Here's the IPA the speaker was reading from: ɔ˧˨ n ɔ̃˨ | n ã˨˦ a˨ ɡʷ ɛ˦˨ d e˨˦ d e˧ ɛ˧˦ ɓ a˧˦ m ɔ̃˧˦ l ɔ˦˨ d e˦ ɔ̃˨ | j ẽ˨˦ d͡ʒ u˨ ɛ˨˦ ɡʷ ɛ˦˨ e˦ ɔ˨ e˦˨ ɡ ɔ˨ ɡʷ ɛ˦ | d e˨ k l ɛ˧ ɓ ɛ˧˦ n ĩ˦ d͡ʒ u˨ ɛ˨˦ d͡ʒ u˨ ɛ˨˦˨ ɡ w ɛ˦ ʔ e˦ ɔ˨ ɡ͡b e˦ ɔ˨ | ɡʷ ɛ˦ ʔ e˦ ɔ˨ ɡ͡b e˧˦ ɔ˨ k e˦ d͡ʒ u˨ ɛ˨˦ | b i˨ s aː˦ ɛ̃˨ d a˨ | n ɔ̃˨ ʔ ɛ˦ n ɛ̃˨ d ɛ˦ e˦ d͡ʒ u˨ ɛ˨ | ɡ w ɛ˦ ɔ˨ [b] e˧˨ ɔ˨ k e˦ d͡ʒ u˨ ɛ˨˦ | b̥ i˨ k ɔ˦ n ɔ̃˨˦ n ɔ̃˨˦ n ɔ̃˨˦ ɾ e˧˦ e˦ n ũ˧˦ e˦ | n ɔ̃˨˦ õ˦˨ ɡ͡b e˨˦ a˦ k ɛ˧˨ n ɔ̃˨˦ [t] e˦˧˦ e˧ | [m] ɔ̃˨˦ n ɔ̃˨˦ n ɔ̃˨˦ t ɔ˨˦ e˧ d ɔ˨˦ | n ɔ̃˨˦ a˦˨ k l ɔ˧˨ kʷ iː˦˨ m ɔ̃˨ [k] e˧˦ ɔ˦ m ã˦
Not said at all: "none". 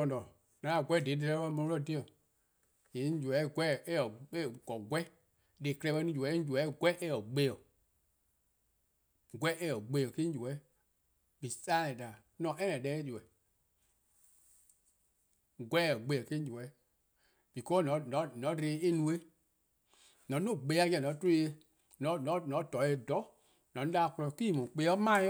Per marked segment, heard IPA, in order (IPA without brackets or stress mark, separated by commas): ɡ͡b, t, n, k͡p